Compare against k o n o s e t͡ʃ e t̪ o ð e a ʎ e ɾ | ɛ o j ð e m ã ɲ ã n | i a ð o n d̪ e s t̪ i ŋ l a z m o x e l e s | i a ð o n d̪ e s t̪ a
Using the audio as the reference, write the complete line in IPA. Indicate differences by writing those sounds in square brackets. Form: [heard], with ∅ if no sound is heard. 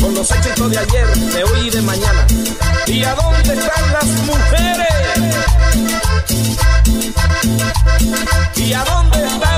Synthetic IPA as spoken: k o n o s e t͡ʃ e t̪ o ð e a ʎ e ɾ | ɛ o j ð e m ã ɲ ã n | i a ð o n d̪ e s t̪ [a] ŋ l a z m [u] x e [ɾ] e s | i a ð o n d̪ e s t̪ a